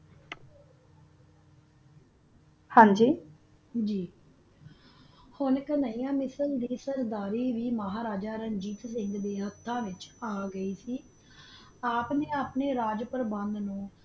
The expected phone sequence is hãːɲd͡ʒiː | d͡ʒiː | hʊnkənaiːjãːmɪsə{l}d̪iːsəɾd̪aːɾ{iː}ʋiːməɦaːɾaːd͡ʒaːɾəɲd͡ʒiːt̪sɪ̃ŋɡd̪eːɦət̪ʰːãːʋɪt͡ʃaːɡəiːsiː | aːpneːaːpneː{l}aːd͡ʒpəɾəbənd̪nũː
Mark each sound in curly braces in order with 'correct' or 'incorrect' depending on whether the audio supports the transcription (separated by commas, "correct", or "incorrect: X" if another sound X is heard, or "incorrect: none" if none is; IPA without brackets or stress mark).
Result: correct, correct, incorrect: ɾ